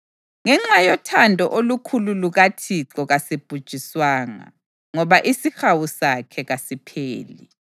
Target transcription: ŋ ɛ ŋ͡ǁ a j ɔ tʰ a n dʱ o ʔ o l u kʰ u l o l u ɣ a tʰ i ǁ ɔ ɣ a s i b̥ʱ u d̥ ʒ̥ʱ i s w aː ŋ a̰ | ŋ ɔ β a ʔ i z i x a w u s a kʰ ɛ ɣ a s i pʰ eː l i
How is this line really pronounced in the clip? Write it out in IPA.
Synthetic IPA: ŋ ɛ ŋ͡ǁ a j ɔ tʰ a n dʱ ɔ ʔ o l u kʰ u l u l u ɣ a tʰ i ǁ ɔ ɣ a s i b̥ʱ u d̥ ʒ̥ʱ i s w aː ŋ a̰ | ŋ ɔ β a ʔ i s i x a w u s a kʰ ɛ ɣ a s i pʰ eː l i